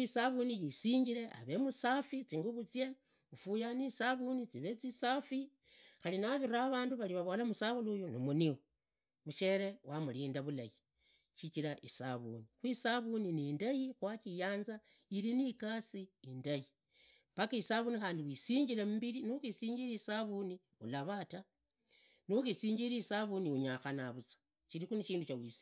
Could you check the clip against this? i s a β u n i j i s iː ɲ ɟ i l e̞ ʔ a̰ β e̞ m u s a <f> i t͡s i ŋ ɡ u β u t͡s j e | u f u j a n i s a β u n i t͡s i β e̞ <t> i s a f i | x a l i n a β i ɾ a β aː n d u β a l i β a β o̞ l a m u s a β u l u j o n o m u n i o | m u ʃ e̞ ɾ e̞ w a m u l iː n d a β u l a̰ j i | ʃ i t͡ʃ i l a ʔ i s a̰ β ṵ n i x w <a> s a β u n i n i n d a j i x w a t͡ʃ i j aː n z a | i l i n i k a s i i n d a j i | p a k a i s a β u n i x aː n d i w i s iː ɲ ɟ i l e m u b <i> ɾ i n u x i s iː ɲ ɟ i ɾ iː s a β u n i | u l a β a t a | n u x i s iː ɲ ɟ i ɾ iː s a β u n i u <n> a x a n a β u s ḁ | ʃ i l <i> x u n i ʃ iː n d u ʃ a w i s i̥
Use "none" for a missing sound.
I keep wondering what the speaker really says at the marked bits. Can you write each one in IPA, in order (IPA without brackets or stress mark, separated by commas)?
f, t͡s, i, i, ɲ, i